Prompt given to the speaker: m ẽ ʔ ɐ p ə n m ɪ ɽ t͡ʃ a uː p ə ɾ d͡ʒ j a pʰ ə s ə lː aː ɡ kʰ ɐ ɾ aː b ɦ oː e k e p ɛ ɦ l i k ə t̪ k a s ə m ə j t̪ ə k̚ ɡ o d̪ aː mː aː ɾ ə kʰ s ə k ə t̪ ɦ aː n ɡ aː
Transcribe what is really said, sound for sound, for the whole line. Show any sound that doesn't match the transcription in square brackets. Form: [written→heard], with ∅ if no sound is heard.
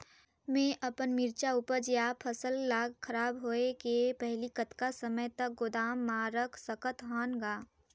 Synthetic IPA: m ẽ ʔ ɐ p ə n m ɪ [ɽ→ɾ] t͡ʃ a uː p ə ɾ d͡ʒ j a pʰ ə s ə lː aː ɡ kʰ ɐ ɾ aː b ɦ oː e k e p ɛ ɦ l i k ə t̪ k a s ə m ə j t̪ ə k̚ ɡ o d̪ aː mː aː ɾ ə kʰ s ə k ə t̪ ɦ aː n ɡ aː